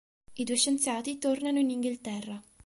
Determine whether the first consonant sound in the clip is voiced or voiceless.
voiced